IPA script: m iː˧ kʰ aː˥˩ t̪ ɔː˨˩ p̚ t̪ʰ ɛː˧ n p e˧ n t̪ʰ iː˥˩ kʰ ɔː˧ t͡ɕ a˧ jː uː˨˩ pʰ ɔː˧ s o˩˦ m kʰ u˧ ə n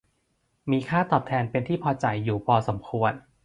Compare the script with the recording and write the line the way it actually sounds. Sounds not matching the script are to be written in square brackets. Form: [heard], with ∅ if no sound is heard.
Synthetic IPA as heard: m iː˧ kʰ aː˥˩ t̪ ɔː˨˩ p̚ t̪ʰ ɛː˧ n p e˧ n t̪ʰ iː˥˩ [pʰ] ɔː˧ t͡ɕ a˧ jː uː˨˩ pʰ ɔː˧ s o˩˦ m kʰ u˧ ə n